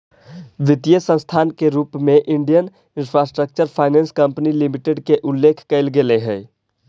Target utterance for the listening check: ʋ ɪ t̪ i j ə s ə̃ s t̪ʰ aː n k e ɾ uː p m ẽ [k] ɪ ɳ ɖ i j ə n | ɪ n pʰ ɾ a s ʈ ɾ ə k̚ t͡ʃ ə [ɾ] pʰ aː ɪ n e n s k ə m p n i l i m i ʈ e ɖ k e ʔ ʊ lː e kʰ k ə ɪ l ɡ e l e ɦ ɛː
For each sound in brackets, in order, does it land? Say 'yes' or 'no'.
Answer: no, yes

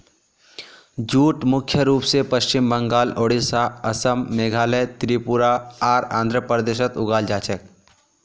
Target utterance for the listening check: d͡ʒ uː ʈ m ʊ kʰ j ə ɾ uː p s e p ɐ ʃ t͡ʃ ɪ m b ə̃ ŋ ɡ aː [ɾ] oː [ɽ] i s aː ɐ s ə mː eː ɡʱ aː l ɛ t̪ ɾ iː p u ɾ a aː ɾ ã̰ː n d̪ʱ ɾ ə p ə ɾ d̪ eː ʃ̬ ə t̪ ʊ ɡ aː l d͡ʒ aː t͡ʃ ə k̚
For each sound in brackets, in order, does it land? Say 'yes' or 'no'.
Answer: no, yes

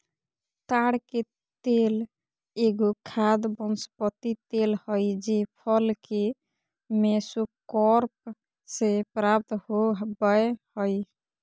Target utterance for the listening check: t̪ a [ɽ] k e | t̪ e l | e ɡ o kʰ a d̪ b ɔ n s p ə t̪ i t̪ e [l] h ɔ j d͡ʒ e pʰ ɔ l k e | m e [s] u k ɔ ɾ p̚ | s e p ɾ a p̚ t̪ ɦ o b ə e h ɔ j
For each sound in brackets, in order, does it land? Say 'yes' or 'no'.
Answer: yes, yes, yes

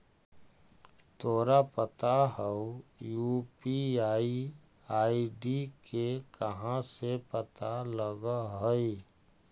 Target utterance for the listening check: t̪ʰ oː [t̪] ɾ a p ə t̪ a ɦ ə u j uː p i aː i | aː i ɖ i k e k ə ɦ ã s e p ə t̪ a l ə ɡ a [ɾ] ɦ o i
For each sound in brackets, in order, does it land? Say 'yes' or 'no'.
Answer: no, no

